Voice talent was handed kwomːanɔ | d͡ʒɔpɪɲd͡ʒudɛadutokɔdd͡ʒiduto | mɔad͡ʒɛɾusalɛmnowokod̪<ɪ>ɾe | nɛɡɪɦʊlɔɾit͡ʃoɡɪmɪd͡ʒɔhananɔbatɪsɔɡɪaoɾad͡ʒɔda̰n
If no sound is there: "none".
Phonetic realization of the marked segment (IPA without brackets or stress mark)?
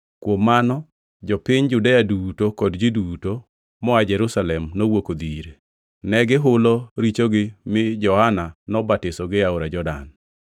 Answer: i